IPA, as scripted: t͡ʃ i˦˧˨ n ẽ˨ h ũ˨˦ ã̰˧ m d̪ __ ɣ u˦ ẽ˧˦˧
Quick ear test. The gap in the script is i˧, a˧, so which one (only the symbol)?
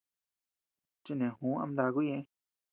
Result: a˧